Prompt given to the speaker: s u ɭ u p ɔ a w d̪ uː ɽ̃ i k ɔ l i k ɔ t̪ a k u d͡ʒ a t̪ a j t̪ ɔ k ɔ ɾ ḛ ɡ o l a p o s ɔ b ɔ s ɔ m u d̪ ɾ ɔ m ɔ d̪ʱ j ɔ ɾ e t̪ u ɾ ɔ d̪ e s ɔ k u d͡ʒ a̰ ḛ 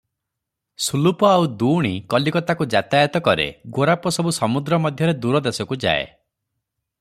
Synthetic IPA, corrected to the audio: s u l u p ɔ a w d̪ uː ɽ̃ i k ɔ l i k ɔ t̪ a k u d͡ʒ a t̪ a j t̪ ɔ k ɔ ɾ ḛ ɡ o ɾ a p ɔ s ɔ b u s ɔ m u d̪ ɾ ɔ m ɔ d̪ʱ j ɔ ɾ e d̪ u ɾ ɔ d̪ e s ɔ k u d͡ʒ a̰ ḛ